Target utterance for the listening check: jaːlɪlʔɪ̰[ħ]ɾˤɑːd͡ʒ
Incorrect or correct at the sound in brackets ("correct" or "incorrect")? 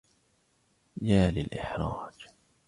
correct